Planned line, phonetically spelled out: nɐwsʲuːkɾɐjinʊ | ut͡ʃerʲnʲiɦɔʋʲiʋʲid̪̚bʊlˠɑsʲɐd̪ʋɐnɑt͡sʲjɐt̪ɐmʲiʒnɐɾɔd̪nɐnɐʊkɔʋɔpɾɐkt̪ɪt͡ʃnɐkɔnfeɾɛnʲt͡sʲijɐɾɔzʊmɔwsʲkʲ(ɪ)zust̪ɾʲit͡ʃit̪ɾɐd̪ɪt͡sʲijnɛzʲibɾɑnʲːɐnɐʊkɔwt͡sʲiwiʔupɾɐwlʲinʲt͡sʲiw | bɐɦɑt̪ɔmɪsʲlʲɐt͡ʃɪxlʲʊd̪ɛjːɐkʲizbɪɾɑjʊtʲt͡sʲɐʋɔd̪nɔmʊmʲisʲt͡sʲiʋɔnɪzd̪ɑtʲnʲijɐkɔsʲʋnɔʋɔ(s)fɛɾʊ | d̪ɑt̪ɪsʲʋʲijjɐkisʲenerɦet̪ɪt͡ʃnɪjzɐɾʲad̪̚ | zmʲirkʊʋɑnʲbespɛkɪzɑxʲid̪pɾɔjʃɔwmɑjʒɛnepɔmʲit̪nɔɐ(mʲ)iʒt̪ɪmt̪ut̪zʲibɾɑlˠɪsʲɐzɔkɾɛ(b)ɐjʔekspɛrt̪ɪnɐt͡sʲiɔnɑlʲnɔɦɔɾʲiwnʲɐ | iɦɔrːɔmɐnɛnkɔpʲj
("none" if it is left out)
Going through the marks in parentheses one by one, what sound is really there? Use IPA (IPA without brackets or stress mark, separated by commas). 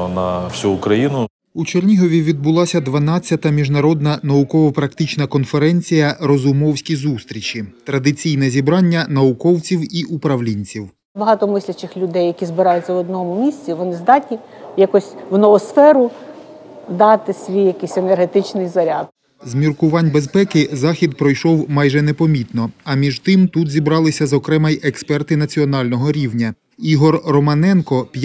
i, s, mʲ, m